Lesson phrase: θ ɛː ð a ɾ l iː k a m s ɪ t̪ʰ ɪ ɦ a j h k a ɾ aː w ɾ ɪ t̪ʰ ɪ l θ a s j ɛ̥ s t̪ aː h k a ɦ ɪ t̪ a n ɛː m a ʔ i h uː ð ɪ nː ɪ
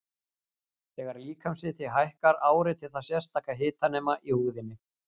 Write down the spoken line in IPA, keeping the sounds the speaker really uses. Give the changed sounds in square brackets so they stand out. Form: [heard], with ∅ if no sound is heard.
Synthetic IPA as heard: θ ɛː [ɣ] a ɾ l iː k a m s ɪ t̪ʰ ɪ ɦ a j h k a ɾ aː w ɾ ɪ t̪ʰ ɪ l θ a s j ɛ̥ s t̪ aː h k a ɦ [ɪː] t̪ a n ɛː m a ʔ i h uː ð ɪ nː ɪ